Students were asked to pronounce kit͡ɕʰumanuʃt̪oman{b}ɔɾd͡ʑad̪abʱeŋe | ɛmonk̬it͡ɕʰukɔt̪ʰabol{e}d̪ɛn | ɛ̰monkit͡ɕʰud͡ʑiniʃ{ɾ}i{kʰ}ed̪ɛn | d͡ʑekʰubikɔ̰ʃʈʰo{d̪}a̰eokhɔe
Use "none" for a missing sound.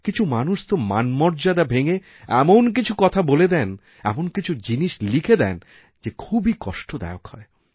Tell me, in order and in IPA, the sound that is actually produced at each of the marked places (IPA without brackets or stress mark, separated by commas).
m, e, l, kʰ, d̪